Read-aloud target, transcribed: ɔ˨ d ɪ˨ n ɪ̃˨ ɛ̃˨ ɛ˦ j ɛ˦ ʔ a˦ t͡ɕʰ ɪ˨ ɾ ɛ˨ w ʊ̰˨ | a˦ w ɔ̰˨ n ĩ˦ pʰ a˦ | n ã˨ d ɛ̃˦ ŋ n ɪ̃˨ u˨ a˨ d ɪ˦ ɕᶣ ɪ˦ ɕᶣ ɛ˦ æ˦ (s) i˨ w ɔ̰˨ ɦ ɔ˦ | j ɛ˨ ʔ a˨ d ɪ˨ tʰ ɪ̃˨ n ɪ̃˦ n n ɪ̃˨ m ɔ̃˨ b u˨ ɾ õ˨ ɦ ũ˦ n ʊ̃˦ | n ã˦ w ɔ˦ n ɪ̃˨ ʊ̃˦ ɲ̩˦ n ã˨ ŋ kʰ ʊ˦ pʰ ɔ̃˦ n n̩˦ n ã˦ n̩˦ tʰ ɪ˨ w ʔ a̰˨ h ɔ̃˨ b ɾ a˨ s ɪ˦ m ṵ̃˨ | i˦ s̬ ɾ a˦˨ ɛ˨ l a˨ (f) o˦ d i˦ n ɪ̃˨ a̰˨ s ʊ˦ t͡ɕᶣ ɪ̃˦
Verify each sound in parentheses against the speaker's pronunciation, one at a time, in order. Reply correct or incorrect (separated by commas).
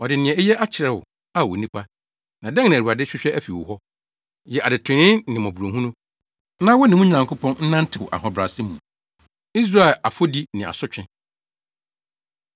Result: incorrect, correct